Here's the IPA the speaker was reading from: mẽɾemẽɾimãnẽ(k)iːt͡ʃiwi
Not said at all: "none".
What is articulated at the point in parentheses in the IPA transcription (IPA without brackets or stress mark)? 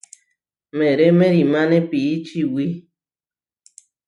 p